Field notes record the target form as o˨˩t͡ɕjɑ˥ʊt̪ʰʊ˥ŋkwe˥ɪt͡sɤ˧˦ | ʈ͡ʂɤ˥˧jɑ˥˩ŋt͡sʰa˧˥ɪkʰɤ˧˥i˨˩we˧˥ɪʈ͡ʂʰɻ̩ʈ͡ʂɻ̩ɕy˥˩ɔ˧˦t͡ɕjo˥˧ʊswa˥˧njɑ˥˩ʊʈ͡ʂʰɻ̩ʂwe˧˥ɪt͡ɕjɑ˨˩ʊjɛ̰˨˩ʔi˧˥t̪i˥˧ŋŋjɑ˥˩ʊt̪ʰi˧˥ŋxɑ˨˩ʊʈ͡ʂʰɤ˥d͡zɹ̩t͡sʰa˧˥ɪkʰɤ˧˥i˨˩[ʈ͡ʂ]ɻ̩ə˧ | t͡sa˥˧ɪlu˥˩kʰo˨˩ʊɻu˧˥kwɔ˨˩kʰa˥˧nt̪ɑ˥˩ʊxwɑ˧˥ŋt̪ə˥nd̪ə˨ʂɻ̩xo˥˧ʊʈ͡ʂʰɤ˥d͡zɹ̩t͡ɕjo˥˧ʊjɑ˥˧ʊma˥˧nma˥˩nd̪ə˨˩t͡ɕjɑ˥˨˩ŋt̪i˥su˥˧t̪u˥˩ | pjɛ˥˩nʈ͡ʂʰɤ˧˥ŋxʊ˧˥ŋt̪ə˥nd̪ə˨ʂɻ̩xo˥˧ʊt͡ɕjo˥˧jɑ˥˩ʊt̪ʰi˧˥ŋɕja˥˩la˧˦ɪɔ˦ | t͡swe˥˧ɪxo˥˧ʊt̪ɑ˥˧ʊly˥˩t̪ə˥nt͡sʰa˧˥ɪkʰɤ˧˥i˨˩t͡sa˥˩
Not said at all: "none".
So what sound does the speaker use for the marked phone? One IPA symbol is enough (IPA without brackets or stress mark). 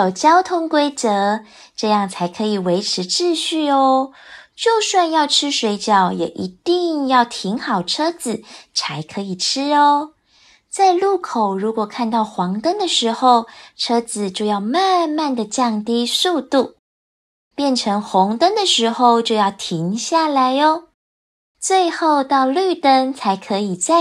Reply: ʈ͡ʂʰ